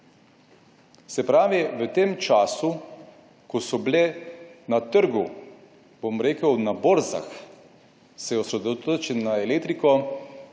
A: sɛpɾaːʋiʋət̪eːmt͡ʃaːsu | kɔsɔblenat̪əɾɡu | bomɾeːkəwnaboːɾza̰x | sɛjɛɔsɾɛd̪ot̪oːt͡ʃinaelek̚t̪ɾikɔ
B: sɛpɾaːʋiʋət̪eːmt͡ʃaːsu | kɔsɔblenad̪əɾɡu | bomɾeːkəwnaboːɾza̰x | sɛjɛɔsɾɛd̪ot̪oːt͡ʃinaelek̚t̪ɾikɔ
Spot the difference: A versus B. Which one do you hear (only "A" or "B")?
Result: A